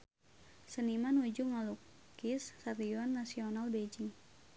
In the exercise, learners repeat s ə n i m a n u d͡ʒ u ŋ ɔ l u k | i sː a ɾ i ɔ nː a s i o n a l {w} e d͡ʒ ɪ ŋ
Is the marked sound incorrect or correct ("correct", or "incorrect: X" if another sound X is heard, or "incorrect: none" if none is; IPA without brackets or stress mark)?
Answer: incorrect: b